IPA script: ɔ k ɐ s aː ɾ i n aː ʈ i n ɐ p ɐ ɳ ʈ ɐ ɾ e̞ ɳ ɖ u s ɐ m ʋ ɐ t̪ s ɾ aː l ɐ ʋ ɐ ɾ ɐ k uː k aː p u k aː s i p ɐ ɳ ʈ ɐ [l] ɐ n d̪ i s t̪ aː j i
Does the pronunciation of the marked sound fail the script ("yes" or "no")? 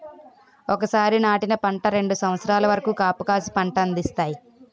yes